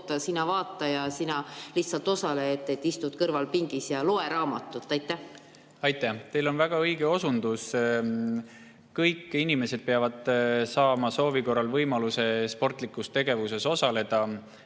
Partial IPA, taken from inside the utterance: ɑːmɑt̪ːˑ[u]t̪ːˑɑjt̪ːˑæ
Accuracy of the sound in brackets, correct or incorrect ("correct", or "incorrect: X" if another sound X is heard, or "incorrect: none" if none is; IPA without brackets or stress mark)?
correct